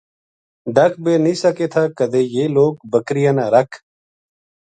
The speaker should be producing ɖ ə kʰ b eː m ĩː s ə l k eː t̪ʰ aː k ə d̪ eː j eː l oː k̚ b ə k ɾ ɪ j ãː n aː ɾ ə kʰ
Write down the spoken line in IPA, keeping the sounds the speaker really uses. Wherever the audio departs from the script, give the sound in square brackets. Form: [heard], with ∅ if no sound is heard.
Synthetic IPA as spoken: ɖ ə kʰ b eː [n] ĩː s ə [∅] k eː t̪ʰ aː k ə d̪ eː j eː l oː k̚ b ə k ɾ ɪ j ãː n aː ɾ ə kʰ